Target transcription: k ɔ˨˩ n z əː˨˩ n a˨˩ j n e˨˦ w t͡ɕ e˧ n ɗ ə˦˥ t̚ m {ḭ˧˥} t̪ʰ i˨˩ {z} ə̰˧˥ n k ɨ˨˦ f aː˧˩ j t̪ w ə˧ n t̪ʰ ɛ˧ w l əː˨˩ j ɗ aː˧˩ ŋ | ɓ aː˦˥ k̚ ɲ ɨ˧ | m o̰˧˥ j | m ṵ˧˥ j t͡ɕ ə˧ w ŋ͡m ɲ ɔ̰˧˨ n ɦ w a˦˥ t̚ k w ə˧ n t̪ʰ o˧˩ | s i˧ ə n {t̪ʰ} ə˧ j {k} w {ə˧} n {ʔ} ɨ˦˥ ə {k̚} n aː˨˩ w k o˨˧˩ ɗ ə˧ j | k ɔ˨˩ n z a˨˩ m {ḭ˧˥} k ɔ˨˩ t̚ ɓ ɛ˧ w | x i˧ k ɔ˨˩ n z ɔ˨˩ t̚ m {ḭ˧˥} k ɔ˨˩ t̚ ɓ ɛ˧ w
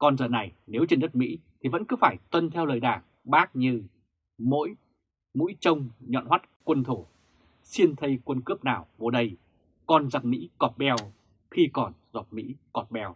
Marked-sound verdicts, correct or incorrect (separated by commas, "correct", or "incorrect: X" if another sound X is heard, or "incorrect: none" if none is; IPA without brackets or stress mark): correct, incorrect: v, correct, correct, correct, incorrect: k, incorrect: p̚, correct, correct